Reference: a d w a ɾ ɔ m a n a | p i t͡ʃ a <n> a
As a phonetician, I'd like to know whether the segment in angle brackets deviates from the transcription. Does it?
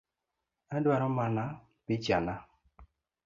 no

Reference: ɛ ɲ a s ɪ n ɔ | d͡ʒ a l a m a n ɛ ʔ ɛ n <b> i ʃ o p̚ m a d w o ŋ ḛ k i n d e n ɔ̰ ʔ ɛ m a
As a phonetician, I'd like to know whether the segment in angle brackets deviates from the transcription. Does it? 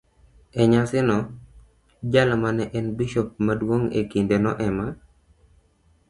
no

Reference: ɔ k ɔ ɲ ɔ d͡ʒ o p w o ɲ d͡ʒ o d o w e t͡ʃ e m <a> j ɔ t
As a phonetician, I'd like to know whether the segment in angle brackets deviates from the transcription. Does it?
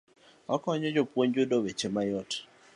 no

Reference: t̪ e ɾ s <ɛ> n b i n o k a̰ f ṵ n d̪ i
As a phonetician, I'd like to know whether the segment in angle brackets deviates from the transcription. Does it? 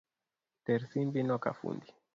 yes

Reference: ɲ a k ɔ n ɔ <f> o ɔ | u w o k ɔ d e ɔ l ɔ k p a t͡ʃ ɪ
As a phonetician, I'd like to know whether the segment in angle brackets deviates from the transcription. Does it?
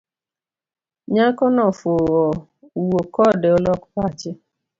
no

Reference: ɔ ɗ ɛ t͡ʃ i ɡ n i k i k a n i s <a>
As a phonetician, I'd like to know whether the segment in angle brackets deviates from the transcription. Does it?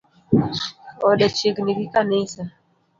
no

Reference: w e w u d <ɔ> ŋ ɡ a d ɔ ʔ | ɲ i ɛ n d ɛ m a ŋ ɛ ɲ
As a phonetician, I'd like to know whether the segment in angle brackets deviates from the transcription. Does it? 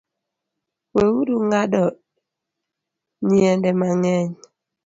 yes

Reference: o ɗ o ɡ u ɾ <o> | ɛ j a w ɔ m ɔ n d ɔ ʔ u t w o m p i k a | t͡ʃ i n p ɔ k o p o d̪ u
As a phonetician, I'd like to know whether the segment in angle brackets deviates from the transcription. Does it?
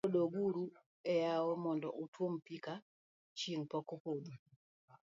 yes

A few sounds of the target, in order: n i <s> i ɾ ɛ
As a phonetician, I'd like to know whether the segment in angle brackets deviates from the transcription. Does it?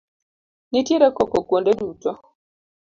yes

